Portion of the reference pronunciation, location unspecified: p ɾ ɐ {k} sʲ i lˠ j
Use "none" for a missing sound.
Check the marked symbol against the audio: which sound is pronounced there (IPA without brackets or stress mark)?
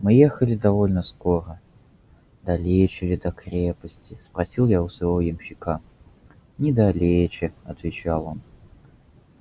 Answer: none